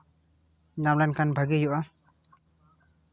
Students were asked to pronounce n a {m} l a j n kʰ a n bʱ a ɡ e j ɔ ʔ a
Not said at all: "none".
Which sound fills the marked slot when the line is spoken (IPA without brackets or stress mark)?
m